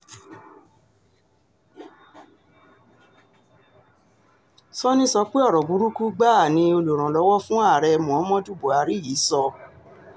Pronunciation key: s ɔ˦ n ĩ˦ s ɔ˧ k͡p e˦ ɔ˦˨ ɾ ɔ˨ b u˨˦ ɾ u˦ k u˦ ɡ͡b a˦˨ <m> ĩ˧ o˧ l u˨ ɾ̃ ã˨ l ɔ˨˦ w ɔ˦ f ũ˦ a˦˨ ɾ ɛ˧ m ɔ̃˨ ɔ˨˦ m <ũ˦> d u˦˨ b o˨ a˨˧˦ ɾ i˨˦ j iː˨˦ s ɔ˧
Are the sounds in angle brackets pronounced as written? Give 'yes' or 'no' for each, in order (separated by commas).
no, no